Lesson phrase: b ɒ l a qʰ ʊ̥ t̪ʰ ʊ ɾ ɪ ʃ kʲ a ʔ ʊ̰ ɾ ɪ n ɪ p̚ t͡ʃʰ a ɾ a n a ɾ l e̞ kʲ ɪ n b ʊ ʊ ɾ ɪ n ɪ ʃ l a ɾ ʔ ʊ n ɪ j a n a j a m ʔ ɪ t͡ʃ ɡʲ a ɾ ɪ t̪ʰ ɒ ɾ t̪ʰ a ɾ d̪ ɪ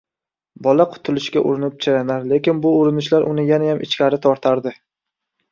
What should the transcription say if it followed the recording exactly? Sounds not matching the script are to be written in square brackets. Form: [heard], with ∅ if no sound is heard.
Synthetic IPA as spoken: b ɒ l a qʰ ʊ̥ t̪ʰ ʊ [l] ɪ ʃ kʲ a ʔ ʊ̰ ɾ ɪ n ɪ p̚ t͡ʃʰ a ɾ a n a ɾ l e̞ kʲ ɪ n b ʊ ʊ ɾ ɪ n ɪ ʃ l a ɾ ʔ ʊ n ɪ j a n a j a m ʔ ɪ t͡ʃ [kʲ] a ɾ ɪ t̪ʰ ɒ ɾ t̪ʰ a ɾ d̪ ɪ